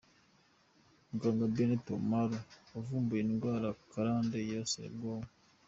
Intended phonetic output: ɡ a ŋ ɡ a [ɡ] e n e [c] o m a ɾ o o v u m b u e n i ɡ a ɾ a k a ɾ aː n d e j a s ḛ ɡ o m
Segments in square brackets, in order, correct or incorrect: incorrect: b, incorrect: t

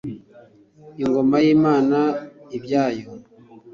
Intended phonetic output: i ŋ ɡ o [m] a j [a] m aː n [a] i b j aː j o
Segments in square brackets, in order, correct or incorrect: correct, incorrect: i, correct

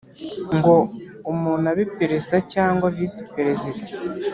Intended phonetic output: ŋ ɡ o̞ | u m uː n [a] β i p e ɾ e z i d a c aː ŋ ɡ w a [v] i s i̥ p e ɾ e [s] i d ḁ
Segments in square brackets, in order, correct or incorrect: correct, correct, incorrect: z

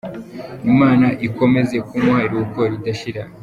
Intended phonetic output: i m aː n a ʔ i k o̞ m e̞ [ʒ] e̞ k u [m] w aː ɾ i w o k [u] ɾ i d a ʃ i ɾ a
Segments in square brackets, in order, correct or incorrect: incorrect: z, correct, incorrect: o

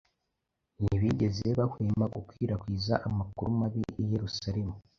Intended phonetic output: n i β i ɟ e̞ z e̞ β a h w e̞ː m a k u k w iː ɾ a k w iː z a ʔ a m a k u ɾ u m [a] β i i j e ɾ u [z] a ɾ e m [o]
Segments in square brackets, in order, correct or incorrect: correct, incorrect: s, incorrect: u

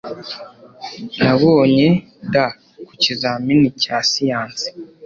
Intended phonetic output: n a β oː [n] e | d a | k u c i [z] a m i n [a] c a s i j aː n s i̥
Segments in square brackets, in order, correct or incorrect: incorrect: ɲ, correct, incorrect: i

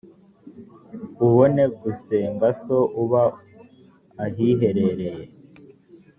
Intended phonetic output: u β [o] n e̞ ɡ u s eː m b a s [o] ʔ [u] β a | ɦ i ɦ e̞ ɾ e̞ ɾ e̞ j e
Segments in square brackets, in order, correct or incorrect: correct, correct, correct

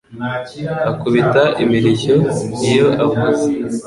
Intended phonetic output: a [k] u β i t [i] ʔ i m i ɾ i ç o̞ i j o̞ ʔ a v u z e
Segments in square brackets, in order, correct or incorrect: correct, incorrect: a

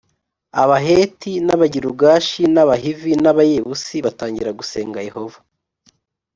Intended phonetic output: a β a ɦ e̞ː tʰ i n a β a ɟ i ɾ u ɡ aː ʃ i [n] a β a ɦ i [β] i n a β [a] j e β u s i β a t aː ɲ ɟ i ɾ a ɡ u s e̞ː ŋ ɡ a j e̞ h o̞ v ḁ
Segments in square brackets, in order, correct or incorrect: correct, incorrect: v, correct

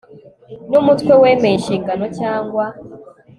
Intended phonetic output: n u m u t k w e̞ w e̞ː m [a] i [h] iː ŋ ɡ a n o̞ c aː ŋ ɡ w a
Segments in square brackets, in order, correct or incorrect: incorrect: e, incorrect: ʃ

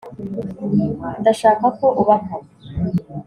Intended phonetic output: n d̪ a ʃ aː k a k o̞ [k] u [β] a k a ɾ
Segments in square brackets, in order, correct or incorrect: incorrect: ʔ, correct

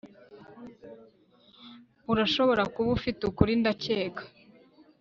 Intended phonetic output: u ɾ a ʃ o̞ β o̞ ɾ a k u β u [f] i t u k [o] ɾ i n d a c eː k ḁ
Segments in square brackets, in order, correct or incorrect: correct, incorrect: u

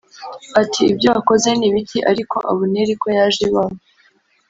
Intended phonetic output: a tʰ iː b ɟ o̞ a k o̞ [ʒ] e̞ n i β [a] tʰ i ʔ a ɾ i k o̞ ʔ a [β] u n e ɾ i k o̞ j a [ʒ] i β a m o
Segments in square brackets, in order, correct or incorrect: incorrect: z, incorrect: i, correct, correct

